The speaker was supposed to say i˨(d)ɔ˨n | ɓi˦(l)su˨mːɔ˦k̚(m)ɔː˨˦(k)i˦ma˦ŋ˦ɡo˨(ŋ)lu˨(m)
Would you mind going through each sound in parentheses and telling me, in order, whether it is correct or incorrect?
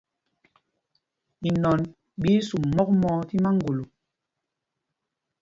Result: incorrect, incorrect, correct, incorrect, incorrect, incorrect

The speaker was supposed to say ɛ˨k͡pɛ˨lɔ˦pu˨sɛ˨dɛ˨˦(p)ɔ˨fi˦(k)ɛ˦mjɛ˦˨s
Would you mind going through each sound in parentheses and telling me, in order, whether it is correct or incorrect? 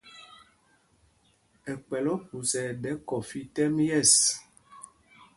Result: incorrect, incorrect

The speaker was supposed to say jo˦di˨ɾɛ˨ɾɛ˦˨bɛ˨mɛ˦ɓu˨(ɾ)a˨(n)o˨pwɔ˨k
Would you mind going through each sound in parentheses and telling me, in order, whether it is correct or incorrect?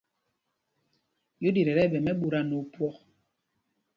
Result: correct, correct

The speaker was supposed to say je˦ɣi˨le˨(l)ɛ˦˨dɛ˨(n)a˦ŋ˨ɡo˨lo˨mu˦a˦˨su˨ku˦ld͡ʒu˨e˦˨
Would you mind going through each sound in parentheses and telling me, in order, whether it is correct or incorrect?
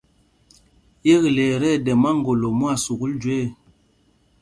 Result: incorrect, incorrect

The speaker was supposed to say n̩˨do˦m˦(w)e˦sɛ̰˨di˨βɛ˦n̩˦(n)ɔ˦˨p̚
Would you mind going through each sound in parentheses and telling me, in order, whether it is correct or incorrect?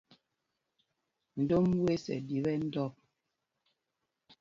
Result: correct, incorrect

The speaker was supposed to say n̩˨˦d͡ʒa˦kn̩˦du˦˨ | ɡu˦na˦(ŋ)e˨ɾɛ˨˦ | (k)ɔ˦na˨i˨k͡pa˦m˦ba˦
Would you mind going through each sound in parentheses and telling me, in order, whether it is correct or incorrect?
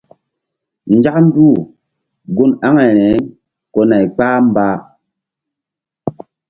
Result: correct, correct

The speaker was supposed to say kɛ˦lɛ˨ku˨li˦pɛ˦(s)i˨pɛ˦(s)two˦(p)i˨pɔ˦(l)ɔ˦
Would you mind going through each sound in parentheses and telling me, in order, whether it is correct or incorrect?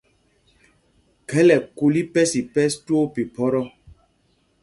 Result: correct, correct, correct, incorrect

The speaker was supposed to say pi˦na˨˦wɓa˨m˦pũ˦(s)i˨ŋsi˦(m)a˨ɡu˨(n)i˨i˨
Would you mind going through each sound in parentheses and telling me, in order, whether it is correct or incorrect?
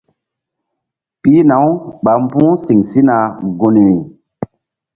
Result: correct, incorrect, correct

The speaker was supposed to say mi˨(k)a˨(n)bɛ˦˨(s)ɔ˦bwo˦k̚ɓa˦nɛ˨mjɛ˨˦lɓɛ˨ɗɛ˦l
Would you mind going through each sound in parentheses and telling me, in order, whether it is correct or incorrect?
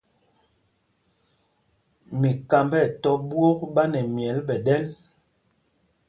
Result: correct, incorrect, incorrect

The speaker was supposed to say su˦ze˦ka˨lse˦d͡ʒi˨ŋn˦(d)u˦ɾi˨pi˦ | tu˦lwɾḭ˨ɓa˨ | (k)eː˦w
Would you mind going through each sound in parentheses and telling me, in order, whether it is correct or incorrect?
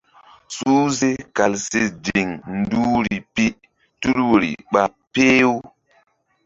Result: correct, incorrect

